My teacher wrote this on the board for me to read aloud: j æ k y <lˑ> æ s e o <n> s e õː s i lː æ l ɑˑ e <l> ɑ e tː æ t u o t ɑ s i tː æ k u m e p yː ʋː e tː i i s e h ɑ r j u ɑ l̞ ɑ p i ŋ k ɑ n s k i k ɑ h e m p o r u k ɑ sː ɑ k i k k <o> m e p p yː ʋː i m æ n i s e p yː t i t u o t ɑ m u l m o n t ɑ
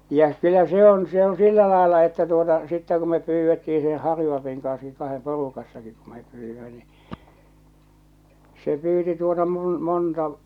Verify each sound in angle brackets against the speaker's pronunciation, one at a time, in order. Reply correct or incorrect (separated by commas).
correct, correct, incorrect, incorrect